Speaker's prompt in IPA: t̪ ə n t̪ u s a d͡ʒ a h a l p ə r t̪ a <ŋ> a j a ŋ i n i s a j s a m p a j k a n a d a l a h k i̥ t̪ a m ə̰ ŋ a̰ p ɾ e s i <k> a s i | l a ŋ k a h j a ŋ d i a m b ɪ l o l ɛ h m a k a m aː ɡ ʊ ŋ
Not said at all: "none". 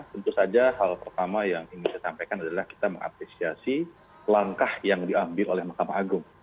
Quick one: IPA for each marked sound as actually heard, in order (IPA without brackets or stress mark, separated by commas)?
m, none